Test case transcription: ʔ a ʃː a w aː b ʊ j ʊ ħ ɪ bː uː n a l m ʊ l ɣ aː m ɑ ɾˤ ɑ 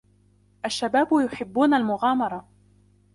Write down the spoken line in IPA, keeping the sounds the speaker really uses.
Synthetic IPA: ʔ a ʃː a b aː b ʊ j ʊ ħ ɪ bː uː n a l m ʊ ɣ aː m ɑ ɾˤ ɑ